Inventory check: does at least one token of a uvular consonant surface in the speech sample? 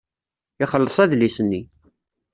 yes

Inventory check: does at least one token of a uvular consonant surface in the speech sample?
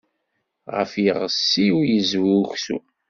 yes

